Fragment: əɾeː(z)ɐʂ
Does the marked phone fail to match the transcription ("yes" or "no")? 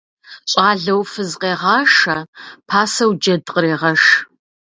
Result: yes